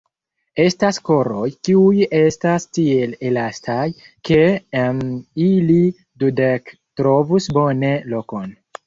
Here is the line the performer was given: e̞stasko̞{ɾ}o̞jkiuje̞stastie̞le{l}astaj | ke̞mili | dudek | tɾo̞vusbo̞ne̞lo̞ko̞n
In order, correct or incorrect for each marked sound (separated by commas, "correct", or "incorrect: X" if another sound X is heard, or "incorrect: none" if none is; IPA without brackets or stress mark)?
correct, correct